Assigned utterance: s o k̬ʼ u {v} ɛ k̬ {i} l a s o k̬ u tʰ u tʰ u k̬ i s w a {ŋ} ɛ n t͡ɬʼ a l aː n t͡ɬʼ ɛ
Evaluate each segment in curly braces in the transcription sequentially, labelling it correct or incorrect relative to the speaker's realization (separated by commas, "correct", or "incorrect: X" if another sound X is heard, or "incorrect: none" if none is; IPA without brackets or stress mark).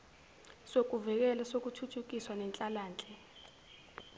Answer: correct, incorrect: ɛ, incorrect: n